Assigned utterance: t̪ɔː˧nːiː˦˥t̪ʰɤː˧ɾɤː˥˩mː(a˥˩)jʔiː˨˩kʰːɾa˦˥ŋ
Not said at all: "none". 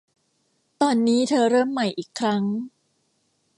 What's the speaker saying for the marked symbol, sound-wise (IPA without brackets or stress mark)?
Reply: a˨˩